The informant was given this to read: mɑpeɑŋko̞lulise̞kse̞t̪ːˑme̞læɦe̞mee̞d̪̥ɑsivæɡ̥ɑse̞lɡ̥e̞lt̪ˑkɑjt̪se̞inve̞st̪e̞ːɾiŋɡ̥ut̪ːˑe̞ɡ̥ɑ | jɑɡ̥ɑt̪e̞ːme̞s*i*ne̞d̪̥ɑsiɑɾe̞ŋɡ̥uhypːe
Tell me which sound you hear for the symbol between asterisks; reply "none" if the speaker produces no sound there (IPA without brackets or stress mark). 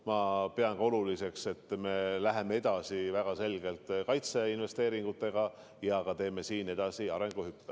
iː